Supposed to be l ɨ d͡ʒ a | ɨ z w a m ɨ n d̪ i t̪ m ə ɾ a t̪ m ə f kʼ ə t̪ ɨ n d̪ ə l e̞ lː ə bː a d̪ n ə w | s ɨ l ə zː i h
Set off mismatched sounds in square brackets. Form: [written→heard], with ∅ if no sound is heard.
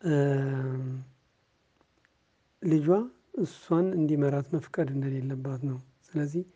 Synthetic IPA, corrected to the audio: l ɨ d͡ʒ a | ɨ [z→s] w a [m→n] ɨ n d̪ i [t̪→∅] m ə ɾ a t̪ m ə f kʼ ə [t̪→d̪] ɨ n d̪ ə l e̞ lː ə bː a [d̪→t̪] n ə w | s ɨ l ə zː i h